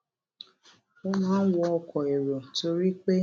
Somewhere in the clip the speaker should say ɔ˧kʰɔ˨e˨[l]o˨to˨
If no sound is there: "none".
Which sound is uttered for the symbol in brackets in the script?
ɾ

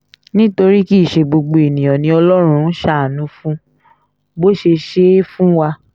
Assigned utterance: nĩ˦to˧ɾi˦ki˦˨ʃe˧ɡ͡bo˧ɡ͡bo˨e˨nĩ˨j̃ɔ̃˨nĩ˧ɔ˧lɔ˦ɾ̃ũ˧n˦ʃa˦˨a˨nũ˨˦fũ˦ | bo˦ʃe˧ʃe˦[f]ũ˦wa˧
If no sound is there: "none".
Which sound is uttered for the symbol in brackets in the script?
f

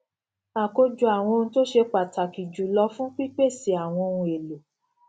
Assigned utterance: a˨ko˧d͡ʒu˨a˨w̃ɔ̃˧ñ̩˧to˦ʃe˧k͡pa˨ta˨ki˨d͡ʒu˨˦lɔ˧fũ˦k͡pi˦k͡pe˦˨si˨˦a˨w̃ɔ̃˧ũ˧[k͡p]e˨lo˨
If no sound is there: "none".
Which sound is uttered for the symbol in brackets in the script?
none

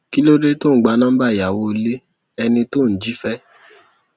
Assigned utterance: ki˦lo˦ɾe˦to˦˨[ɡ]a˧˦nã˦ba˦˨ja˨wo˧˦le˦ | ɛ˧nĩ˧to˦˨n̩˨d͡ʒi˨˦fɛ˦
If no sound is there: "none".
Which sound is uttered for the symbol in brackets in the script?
ɡ͡b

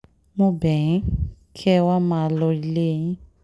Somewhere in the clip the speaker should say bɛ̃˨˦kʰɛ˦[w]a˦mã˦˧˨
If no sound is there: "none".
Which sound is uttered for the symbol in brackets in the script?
w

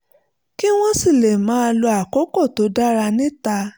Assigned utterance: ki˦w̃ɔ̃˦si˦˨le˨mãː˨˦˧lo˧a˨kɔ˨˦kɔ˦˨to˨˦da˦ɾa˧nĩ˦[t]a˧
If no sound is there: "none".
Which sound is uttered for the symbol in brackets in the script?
t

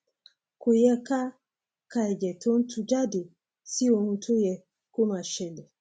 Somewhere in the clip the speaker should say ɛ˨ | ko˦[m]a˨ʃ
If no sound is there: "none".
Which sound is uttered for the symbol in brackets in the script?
m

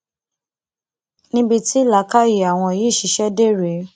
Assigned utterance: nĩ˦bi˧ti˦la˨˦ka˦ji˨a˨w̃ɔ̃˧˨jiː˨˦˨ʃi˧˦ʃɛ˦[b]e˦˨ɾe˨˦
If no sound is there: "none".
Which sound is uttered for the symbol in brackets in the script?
d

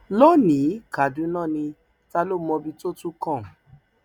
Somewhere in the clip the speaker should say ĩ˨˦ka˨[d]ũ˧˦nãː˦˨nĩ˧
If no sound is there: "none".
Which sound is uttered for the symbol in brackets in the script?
d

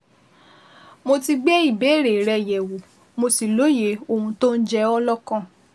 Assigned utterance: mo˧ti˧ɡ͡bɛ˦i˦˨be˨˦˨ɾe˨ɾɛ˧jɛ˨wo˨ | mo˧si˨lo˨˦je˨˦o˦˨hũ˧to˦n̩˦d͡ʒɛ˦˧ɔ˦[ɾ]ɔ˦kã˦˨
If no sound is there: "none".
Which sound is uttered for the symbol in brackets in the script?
l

